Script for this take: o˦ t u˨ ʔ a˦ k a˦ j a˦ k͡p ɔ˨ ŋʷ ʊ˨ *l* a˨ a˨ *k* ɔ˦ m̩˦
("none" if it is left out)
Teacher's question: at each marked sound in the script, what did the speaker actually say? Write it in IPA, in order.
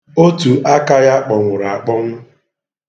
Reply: ɾ, k͡p

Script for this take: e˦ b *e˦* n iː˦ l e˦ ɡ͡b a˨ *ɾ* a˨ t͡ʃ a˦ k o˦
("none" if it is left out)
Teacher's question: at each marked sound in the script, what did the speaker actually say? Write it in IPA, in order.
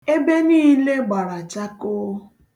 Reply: e˦, ɾ

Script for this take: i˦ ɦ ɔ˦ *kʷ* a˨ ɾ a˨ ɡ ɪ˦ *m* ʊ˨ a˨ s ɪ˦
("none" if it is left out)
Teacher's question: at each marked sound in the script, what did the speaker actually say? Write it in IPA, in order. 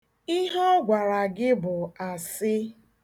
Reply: ɡʷ, b

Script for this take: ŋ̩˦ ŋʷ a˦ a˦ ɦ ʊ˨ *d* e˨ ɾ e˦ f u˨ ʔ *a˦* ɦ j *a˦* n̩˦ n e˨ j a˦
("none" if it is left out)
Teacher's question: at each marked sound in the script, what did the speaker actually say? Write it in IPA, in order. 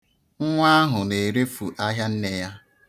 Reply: n, a˦, a˦

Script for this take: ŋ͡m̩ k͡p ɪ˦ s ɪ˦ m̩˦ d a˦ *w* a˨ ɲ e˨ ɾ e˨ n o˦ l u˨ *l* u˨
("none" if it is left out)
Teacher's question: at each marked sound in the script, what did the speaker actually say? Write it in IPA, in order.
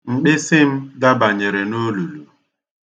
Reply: b, l

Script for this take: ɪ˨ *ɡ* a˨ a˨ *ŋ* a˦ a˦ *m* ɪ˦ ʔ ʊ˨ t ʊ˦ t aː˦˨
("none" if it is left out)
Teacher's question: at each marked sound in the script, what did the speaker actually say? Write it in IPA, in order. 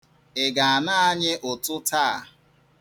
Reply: ɡ, n, ɲ

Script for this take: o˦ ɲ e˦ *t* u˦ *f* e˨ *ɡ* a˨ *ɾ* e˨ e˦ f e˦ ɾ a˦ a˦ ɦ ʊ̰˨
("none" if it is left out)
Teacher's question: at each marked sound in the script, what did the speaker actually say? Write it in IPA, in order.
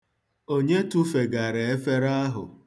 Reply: t, f, ɡ, ɾ

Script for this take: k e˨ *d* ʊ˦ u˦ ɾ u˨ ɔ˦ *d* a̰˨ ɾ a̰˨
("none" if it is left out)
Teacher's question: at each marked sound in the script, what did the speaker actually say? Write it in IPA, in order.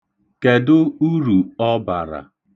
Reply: d, b

